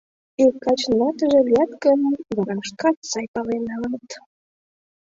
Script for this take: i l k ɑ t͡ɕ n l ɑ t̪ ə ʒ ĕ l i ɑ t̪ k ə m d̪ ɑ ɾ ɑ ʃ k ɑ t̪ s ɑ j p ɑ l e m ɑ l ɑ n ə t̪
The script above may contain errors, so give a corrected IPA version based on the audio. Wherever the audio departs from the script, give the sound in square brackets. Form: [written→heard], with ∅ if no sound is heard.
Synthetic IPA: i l k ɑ t͡ɕ n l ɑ t̪ ə ʒ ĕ l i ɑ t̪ k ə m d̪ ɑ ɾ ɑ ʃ k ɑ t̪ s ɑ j p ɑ l e [m→n] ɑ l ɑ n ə t̪